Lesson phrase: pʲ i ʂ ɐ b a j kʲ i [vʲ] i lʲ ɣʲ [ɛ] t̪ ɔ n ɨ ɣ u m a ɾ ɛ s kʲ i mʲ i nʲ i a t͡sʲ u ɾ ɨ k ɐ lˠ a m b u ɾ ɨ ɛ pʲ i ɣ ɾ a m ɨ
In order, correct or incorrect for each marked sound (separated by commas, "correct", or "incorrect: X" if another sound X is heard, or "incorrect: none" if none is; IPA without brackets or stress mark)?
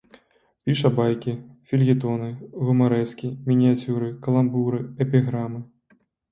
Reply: incorrect: fʲ, incorrect: i